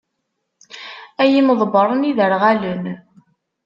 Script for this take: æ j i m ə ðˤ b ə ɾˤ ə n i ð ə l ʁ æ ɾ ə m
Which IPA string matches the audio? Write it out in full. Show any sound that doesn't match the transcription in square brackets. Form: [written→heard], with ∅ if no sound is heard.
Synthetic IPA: æ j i m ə ðˤ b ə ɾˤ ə n i ð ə [l→ɾ] ʁ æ [ɾ→l] ə [m→n]